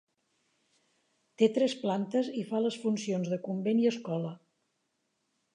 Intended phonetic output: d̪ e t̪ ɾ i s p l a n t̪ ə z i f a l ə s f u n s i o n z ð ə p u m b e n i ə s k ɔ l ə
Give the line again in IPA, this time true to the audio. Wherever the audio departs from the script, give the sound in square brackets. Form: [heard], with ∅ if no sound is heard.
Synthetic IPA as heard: [t̪] e t̪ ɾ [ɛ] s p l a n t̪ ə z i f a l ə s f u n s i o n z ð ə [k] u m b e n i ə s k ɔ l ə